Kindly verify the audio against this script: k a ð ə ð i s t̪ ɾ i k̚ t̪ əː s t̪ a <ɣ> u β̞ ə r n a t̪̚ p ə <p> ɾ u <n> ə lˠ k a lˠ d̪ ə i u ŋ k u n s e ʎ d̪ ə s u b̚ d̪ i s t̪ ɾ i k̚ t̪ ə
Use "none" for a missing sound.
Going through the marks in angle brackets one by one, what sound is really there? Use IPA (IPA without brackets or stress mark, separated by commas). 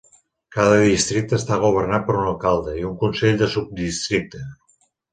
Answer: ɣ, none, n